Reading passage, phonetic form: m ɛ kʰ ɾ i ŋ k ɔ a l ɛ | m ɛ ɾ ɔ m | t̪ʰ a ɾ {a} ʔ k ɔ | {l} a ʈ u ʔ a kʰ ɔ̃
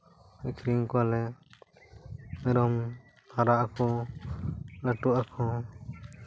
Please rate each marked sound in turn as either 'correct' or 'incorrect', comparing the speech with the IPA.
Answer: correct, correct

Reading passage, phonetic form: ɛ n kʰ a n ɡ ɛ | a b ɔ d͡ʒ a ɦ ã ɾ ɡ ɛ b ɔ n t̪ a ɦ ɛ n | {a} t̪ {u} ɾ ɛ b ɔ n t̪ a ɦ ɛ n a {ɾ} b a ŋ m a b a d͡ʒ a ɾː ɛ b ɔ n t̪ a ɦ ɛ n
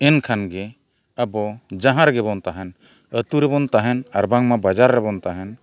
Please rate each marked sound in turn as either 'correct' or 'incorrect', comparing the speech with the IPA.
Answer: incorrect: ə, correct, correct

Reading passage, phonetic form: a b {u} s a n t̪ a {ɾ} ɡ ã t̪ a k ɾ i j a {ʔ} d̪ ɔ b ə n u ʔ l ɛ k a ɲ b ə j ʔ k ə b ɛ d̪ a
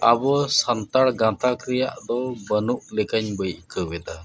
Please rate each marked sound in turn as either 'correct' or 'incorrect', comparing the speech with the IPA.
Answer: incorrect: ɔ, incorrect: ɽ, correct

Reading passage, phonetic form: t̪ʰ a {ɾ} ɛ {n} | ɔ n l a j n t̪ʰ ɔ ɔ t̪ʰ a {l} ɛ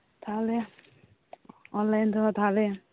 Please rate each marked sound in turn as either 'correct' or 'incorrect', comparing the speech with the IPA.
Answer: incorrect: l, incorrect: none, correct

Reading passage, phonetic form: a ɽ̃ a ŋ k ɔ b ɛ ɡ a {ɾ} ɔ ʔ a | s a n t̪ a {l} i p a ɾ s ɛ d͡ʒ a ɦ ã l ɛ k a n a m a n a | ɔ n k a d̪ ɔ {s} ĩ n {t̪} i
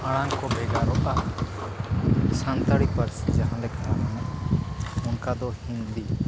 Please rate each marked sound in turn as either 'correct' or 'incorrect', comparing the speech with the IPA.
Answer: correct, incorrect: ɽ, incorrect: h, incorrect: d̪

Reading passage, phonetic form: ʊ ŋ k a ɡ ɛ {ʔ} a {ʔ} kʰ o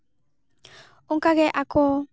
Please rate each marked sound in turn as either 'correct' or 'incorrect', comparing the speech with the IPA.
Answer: correct, incorrect: none

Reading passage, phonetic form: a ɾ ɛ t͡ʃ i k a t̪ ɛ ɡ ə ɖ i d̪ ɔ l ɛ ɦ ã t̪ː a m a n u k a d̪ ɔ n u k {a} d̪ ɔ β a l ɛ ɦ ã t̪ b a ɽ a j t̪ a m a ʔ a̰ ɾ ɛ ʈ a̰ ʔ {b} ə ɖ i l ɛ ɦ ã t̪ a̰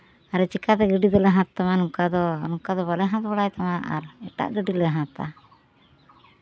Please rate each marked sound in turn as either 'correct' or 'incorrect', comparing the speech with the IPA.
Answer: correct, incorrect: ɡ

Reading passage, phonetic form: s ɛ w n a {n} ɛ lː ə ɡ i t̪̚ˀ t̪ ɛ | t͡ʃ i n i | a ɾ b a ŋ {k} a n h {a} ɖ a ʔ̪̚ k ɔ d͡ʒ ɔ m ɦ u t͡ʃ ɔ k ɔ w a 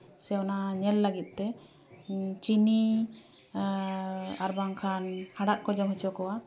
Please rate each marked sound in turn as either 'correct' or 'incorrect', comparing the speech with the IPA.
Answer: incorrect: ɲ, incorrect: kʰ, correct

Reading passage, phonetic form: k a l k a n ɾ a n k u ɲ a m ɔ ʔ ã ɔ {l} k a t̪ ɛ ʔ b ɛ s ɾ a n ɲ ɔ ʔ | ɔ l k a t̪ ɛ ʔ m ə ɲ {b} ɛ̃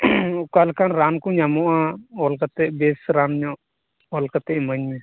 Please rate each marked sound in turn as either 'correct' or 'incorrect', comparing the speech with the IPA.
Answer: correct, incorrect: m

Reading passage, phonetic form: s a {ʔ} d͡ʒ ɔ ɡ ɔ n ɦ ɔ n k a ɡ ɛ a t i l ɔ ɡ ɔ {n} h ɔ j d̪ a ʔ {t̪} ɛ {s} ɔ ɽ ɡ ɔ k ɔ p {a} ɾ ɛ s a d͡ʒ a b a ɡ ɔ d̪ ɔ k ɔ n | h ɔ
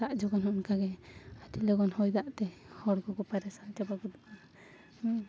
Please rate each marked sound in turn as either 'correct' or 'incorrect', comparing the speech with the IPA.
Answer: correct, correct, correct, incorrect: h, correct

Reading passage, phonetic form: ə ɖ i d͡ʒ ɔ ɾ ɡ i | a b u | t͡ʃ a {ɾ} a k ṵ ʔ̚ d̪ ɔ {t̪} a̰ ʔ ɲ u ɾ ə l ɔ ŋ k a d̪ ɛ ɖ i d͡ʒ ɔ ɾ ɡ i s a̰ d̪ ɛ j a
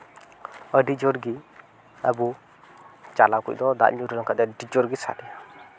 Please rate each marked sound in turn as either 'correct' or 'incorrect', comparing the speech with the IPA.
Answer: incorrect: l, incorrect: d̪

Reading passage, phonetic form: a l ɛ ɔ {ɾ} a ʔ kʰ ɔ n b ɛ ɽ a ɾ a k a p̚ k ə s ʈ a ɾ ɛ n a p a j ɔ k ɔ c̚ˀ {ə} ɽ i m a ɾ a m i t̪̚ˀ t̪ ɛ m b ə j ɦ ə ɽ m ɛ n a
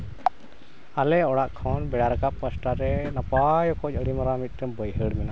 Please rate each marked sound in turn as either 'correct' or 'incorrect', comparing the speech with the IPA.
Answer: incorrect: ɽ, correct

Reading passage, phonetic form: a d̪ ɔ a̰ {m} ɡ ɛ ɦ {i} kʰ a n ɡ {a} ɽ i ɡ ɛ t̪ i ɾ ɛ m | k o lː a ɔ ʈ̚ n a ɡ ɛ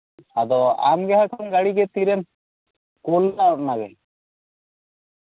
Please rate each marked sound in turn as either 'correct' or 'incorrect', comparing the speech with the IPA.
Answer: correct, incorrect: a, correct

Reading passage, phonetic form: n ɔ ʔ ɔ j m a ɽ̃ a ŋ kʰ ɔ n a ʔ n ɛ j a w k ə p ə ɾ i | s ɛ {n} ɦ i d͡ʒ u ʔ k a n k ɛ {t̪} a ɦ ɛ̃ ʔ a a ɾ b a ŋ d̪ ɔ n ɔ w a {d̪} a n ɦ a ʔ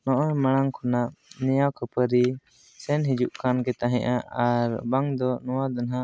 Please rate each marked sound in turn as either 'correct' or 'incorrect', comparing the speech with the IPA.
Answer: correct, correct, correct

